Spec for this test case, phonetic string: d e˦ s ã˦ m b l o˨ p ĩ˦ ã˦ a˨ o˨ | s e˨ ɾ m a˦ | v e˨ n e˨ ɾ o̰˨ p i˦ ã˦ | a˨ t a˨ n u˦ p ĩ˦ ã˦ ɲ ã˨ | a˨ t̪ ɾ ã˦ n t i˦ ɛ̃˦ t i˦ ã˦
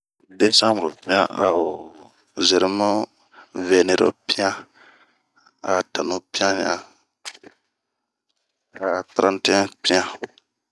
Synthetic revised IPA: d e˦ s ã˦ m b ɾ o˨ p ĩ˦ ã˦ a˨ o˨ | z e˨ ɾ m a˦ | v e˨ n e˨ ɾ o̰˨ p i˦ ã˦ | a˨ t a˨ n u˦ p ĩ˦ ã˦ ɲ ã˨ | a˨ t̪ ɾ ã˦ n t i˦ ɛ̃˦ p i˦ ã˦

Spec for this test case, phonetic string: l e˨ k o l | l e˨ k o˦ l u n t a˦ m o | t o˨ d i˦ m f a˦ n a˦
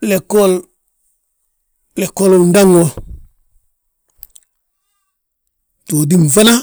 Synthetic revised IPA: l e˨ k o l | l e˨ k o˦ l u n d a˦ ŋ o | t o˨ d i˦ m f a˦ n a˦

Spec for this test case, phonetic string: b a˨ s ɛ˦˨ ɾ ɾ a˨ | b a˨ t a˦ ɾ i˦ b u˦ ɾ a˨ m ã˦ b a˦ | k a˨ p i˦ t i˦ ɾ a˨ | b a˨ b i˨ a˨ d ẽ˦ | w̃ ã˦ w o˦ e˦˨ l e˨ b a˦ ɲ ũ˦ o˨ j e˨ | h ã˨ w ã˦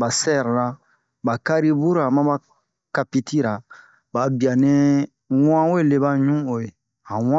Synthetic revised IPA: b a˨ s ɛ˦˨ ɾ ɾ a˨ | b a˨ k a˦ ɾ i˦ b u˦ ɾ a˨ m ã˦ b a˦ | k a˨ p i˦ t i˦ ɾ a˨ | b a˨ b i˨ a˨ n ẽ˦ | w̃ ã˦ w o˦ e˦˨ l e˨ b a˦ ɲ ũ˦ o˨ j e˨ | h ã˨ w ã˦

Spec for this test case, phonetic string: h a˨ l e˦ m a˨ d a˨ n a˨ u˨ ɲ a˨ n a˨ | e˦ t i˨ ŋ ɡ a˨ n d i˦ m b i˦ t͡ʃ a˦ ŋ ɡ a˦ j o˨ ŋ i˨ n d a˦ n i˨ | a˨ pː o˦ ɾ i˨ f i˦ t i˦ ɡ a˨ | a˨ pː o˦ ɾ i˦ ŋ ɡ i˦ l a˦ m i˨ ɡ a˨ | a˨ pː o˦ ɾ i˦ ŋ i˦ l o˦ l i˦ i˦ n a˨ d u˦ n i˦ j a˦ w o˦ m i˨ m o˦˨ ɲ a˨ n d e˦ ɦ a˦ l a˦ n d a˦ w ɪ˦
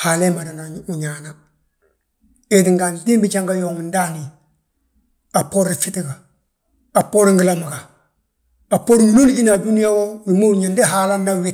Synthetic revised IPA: h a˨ l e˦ m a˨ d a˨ n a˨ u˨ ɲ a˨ n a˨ | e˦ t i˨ ŋ ɡ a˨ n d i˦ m b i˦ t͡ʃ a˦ ŋ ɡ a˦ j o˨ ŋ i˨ n d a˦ n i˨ | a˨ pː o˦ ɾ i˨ f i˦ t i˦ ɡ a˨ | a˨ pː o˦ ɾ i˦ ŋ ɡ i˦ l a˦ m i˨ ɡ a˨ | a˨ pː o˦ ɾ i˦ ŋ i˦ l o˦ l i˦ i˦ n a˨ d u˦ n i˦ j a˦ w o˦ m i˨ m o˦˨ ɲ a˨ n d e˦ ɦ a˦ l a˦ n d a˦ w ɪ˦

